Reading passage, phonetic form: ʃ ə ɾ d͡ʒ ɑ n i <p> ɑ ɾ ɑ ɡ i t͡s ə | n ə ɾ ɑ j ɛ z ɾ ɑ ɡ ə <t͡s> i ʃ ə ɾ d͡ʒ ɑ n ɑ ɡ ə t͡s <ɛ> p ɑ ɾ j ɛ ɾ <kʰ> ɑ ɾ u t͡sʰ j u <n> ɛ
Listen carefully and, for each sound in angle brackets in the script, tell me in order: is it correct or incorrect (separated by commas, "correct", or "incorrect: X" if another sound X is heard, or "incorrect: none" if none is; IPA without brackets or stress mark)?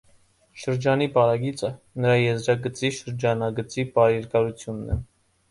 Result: correct, correct, incorrect: i, incorrect: k, incorrect: nː